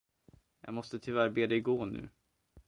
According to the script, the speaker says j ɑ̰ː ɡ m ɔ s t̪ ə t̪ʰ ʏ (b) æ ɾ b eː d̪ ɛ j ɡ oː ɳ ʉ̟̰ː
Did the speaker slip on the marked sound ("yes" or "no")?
yes